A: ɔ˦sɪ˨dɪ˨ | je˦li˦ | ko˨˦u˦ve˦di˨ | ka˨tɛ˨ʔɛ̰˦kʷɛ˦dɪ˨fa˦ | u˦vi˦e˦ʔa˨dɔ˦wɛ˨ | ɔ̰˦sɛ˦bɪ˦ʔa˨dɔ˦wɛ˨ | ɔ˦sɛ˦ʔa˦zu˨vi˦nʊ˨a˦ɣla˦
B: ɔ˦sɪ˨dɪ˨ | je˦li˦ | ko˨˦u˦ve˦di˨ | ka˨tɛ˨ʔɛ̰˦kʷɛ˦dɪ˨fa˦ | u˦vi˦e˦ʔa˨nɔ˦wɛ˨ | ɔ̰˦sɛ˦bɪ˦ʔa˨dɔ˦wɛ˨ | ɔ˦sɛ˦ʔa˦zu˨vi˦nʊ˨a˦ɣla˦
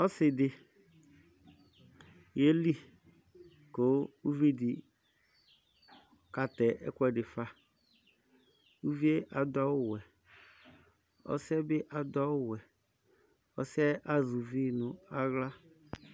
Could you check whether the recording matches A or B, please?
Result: A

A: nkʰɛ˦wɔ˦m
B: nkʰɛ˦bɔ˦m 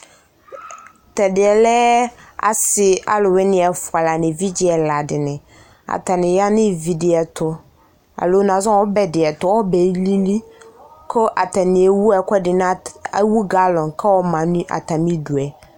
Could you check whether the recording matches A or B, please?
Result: A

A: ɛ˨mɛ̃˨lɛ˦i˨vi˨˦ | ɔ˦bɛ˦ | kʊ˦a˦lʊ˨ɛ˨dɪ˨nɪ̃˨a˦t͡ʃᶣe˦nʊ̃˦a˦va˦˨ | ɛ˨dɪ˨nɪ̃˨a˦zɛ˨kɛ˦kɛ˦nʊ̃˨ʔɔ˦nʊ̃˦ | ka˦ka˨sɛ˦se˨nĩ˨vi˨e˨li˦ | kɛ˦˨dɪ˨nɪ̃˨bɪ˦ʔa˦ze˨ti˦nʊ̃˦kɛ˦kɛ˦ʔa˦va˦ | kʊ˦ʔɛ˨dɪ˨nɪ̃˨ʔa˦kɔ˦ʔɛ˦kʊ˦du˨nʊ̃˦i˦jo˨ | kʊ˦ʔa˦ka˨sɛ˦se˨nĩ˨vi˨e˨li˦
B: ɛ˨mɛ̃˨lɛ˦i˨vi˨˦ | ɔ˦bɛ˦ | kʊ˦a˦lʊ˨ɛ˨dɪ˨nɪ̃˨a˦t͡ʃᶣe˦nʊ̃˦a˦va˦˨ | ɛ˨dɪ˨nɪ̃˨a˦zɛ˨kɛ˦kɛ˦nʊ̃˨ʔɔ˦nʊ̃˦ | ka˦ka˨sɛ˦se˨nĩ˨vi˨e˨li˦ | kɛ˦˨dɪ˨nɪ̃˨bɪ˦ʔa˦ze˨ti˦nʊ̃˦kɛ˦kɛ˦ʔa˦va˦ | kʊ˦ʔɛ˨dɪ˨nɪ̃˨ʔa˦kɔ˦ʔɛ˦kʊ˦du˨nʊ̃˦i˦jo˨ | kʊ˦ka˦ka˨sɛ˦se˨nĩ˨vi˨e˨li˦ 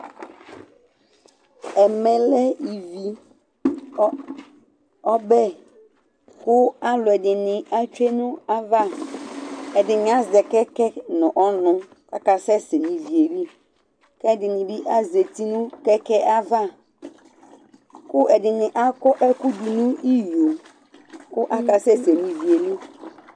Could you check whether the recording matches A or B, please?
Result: A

